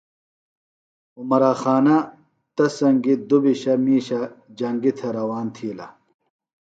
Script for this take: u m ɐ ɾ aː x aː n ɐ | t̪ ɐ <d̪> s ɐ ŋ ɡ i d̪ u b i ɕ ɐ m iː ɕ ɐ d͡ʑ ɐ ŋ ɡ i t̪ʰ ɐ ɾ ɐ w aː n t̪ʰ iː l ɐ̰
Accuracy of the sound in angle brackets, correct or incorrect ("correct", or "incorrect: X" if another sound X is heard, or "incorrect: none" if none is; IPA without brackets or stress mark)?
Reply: incorrect: none